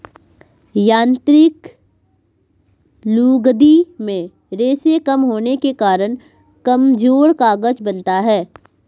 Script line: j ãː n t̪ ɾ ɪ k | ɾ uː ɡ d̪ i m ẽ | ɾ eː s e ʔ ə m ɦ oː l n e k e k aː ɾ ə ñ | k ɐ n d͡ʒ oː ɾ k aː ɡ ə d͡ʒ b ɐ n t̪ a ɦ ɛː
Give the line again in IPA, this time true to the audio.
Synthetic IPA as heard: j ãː n t̪ ɾ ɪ k | l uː ɡ d̪ i m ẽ | ɾ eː s e k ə m ɦ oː n e k e k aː ɾ ə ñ | k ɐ m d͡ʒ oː ɾ k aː ɡ ə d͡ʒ b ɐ n t̪ a ɦ ɛː